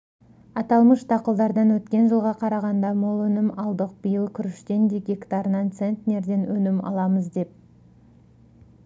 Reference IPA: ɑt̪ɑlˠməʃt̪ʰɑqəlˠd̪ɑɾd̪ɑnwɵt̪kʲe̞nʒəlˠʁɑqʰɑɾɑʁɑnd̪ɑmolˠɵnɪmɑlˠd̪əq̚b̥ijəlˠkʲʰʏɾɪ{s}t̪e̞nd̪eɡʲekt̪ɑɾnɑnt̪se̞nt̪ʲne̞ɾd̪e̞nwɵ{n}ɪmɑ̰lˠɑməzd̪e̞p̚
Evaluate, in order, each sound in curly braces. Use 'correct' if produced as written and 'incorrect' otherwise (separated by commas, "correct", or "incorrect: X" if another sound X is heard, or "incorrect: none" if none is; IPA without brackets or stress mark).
incorrect: ʃ, correct